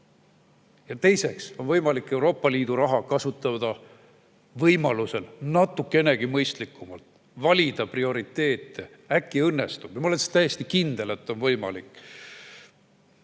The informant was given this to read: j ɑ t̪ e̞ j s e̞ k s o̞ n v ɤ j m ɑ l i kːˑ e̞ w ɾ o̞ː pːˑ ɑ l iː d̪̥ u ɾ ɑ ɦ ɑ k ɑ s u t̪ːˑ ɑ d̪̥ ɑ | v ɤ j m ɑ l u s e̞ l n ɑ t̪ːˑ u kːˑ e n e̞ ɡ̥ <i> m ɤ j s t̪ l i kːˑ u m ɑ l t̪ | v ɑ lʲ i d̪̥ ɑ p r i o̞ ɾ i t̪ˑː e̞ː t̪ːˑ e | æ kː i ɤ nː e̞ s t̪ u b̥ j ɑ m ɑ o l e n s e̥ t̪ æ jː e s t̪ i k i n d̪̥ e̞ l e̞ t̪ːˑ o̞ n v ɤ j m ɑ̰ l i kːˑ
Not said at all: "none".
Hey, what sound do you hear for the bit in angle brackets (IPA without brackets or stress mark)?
i